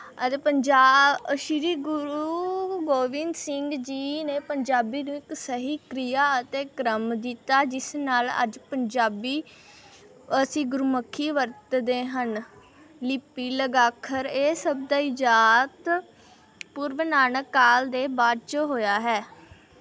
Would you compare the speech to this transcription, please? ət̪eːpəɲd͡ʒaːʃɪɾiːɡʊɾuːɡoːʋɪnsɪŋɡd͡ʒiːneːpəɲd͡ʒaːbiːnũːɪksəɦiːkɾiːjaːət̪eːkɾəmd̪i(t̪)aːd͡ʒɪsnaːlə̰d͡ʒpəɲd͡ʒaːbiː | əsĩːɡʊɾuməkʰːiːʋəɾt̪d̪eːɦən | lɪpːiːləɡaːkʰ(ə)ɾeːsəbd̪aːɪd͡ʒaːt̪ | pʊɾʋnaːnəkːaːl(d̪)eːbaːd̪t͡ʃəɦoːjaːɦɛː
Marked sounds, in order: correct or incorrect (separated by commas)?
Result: correct, correct, correct